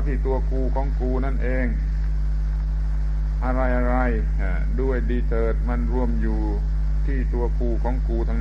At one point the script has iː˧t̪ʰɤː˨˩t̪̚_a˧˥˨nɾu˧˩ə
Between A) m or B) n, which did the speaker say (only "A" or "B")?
A